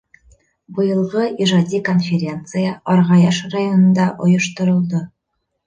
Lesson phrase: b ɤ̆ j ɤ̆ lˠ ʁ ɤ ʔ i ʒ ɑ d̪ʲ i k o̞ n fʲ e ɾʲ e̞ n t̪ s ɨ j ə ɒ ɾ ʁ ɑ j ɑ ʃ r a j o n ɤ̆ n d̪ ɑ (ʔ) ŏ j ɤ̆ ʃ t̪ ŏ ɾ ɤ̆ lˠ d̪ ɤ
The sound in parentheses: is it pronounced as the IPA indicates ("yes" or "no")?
yes